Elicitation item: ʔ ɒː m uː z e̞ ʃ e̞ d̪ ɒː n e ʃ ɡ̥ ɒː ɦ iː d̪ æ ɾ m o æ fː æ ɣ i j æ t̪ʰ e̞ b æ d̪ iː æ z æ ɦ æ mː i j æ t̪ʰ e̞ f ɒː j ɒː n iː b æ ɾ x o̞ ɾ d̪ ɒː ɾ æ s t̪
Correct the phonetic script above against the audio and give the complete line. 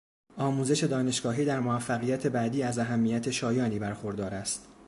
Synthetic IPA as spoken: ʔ ɒː m uː z e̞ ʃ e̞ d̪ ɒː n e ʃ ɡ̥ ɒː ɦ iː d̪ æ ɾ m o æ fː æ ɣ i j æ t̪ʰ e̞ b æ d̪ iː æ z æ ɦ æ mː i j æ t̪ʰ e̞ ʃ ɒː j ɒː n iː b æ ɾ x o̞ ɾ d̪ ɒː ɾ æ s t̪